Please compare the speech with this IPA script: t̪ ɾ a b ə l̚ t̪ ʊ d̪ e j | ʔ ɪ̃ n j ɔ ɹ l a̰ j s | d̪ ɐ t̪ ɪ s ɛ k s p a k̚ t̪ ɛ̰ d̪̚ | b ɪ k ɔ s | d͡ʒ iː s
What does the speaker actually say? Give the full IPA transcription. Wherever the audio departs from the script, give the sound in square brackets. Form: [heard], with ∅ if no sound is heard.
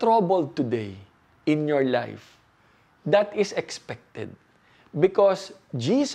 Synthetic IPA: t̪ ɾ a b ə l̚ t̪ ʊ d̪ e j | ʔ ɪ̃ n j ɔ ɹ l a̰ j [f] | d̪ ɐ t̪ ɪ s ɛ k s p [ɛ] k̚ t̪ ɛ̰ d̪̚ | b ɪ k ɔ s | d͡ʒ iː s